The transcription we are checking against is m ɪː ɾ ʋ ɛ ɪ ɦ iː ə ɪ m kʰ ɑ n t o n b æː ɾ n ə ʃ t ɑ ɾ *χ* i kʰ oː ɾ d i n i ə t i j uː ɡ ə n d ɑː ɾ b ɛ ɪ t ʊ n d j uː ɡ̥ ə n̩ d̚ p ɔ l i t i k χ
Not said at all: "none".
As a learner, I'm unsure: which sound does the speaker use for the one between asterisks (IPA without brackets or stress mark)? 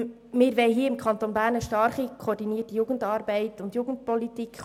χ